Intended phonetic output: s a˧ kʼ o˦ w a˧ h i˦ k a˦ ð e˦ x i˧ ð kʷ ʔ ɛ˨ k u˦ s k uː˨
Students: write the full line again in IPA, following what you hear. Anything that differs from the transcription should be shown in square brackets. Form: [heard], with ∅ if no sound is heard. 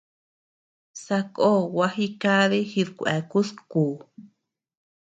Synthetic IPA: s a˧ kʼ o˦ w a˧ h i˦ k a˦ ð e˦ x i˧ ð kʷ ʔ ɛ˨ k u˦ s k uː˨